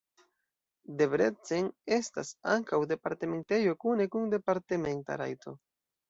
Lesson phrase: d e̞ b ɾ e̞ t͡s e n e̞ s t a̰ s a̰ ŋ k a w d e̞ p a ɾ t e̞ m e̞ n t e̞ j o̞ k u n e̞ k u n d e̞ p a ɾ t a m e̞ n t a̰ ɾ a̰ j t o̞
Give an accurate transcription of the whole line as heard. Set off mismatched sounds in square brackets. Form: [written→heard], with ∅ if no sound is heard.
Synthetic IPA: d e̞ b ɾ e̞ t͡s e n e̞ s t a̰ s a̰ ŋ k a w d e̞ p a ɾ t e̞ m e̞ n t e̞ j o̞ k u n e̞ k u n d e̞ p a ɾ t [a→e] m e̞ n t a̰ ɾ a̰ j t o̞